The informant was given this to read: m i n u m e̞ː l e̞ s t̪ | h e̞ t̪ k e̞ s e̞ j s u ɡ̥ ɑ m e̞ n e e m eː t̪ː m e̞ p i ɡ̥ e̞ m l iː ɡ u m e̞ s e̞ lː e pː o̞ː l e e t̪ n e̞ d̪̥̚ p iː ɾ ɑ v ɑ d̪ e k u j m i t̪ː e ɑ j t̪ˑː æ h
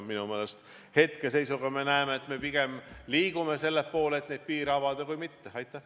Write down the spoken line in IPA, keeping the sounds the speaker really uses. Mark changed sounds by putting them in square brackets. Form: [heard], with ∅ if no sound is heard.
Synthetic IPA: m i n u m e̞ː l e̞ s t̪ | h e̞ t̪ k e̞ s e̞ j s u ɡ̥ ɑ m e̞ n [æ] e m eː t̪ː m e̞ p i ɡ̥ e̞ m l iː ɡ u m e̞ s e̞ lː e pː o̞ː l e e t̪ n e̞ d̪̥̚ p iː ɾ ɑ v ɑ d̪ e k u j m i t̪ː e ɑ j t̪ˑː æ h